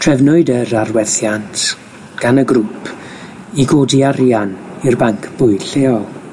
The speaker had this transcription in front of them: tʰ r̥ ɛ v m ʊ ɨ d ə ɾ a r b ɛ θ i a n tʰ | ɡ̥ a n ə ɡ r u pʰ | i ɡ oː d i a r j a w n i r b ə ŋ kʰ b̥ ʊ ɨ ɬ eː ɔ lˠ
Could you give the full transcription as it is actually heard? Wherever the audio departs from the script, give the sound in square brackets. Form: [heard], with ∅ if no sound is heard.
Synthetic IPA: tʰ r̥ ɛ v [n] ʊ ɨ d ə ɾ a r [w] ɛ θ [j] a n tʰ | ɡ̥ a n ə ɡ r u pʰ | i ɡ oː d i a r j a [∅] n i r b [a] ŋ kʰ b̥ ʊ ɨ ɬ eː ɔ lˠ